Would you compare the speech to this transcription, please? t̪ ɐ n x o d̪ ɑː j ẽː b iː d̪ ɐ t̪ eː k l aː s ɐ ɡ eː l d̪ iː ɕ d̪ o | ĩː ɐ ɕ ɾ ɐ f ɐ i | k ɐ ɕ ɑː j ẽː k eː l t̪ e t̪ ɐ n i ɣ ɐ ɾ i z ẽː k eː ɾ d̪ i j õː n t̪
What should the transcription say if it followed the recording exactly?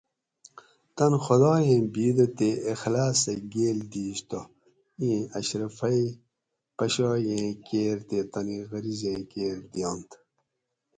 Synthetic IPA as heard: t̪ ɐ n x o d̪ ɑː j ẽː b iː d̪ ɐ t̪ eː x l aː s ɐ ɡ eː l d̪ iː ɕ t̪ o | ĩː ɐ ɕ ɾ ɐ f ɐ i | p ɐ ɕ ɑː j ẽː k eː ɾ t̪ e t̪ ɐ n i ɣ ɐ ɾ i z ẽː k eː ɾ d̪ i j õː n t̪